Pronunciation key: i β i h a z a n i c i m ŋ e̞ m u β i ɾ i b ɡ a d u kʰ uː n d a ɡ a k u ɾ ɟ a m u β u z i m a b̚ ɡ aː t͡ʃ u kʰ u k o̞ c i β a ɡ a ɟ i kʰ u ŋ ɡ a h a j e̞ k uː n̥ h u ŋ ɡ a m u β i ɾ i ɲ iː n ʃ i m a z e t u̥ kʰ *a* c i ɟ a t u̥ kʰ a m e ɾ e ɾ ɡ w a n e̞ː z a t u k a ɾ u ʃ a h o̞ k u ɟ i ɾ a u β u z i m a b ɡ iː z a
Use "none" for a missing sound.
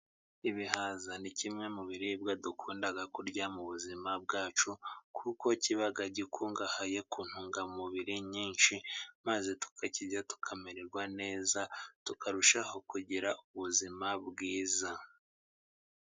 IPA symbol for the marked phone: a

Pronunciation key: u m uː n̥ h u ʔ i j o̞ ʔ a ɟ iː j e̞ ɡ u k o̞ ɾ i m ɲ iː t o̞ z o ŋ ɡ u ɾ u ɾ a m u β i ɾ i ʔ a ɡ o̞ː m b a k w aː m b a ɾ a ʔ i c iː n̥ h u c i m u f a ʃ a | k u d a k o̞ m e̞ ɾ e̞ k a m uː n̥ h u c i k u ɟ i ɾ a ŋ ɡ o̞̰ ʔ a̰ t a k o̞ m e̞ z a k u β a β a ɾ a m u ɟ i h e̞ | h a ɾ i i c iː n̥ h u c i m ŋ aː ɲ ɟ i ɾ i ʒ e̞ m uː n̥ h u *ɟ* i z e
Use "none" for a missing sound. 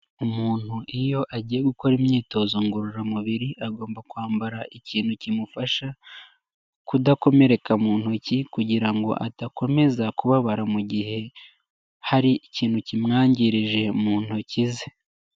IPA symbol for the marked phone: c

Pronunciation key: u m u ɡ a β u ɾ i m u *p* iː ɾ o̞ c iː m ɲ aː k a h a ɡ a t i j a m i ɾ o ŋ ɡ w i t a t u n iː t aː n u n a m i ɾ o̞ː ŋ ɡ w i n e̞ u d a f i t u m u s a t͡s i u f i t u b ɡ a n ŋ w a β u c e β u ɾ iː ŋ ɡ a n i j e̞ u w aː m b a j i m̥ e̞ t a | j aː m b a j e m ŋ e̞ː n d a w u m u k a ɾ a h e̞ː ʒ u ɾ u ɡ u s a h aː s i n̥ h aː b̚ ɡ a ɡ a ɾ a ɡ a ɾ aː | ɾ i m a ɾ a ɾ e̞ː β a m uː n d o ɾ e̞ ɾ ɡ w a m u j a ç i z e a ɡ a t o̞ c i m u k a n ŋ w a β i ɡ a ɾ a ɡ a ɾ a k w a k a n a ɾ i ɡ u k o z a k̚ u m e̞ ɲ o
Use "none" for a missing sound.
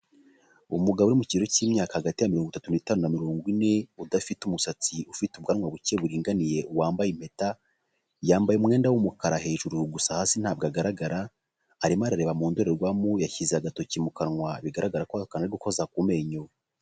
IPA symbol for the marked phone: c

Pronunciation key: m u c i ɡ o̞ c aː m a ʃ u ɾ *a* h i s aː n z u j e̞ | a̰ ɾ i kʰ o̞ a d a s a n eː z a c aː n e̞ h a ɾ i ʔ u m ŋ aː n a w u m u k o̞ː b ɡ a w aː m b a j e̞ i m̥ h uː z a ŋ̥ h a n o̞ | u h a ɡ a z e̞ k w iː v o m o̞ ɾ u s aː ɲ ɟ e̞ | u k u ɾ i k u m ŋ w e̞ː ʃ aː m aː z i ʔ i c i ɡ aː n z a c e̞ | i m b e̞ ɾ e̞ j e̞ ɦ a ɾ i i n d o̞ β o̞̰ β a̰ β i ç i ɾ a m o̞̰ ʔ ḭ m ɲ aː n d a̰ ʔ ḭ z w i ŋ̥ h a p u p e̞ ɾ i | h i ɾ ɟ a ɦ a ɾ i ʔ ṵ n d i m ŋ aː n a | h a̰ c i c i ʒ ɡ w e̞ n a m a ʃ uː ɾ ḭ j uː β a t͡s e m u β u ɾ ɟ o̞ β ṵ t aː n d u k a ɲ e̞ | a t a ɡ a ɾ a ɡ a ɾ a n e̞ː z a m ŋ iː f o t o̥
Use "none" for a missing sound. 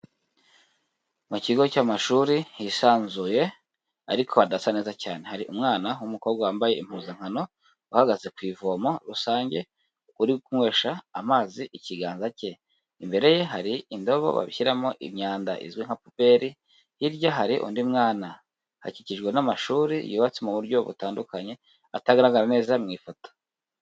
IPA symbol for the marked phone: i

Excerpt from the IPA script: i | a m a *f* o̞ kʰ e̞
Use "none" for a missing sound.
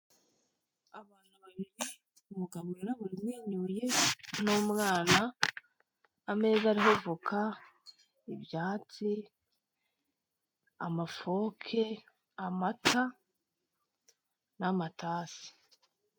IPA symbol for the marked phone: f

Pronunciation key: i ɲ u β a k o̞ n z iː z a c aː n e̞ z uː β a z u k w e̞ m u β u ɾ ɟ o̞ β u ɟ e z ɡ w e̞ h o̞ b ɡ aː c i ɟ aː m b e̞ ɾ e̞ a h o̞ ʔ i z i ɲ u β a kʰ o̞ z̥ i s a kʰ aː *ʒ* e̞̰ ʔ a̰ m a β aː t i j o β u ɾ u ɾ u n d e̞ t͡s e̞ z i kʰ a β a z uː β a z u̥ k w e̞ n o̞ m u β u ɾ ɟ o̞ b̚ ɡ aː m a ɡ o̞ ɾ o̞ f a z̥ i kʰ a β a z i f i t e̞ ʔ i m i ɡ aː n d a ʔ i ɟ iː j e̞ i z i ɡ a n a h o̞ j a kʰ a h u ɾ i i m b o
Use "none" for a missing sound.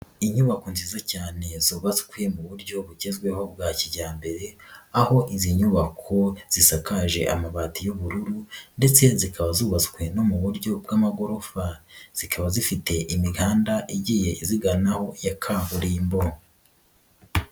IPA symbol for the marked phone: ʒ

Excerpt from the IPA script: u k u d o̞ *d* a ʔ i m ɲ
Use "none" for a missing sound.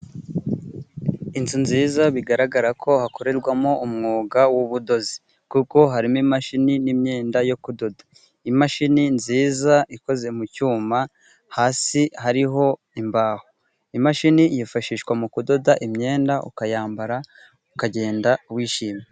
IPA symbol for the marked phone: d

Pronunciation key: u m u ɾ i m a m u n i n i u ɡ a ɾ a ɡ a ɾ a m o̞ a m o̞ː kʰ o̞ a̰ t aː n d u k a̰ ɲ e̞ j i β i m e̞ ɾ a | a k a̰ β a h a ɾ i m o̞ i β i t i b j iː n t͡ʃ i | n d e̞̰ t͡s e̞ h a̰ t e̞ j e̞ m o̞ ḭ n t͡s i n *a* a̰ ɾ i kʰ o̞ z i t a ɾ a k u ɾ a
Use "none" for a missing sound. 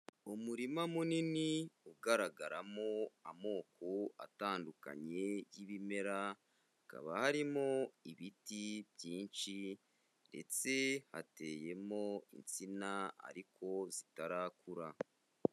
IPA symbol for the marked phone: a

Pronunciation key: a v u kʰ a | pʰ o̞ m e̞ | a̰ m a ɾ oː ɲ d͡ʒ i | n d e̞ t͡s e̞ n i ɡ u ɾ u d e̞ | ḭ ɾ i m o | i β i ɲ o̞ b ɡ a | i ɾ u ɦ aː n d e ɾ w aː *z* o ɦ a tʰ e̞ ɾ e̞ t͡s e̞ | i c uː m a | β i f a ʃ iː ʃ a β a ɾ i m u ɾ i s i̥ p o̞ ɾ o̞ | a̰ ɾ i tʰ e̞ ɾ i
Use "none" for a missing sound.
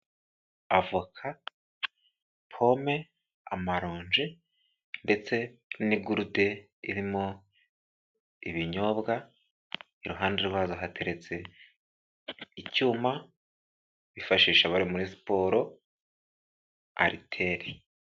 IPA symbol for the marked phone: z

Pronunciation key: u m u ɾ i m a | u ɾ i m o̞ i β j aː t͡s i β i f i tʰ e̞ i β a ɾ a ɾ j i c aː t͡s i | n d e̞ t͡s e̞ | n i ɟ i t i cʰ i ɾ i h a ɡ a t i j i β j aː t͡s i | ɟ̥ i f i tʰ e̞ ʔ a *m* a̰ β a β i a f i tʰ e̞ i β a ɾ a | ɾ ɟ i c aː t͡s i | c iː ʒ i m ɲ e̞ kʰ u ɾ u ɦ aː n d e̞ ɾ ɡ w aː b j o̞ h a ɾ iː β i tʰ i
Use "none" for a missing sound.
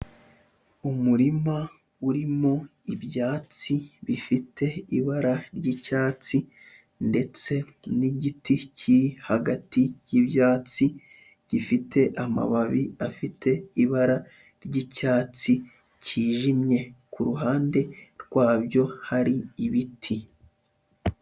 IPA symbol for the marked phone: m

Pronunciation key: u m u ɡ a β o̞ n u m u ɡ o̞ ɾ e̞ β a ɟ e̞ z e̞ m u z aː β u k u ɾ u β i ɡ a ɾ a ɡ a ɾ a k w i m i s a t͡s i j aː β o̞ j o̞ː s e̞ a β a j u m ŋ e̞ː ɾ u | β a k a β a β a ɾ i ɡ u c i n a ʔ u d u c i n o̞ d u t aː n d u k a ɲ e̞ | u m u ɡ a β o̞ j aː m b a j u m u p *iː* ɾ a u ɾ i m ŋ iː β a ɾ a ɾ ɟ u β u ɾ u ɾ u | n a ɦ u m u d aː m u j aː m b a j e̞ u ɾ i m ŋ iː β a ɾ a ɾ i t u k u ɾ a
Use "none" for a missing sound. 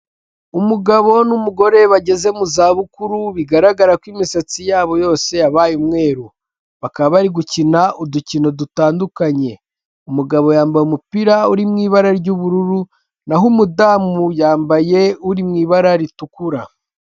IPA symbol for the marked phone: i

